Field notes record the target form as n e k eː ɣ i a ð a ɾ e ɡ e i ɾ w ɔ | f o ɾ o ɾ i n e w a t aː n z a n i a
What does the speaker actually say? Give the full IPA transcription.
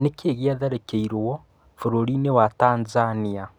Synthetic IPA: n e k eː ɣ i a ð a ɾ e k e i ɾ w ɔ | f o ɾ o ɾ i n e w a t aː n z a n i a